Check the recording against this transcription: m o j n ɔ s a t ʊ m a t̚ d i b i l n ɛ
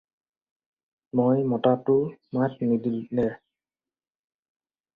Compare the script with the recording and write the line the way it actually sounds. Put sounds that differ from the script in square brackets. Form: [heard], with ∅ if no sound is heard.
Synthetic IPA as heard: m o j [m] ɔ [t] a t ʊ m a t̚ [n] i [d] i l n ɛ